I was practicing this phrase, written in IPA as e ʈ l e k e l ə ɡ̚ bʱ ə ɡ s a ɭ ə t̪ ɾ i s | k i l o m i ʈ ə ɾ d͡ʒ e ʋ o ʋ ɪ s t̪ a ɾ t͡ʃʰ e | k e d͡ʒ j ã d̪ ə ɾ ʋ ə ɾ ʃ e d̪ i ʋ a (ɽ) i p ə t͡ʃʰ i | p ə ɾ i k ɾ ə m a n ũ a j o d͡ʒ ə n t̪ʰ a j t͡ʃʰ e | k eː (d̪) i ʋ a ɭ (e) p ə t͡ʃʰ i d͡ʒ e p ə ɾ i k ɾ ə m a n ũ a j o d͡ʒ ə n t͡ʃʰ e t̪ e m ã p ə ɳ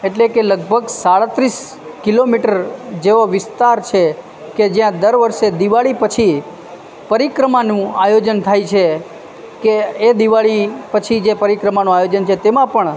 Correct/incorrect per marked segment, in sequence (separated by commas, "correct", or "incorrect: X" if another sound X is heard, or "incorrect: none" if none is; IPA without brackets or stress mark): incorrect: ɭ, correct, incorrect: i